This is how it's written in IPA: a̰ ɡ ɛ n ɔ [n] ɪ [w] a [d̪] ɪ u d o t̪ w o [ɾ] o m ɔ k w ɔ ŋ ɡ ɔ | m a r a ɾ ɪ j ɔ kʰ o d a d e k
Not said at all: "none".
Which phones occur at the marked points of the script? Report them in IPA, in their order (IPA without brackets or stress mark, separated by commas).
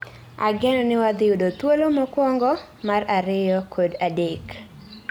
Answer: n, w, d̪, l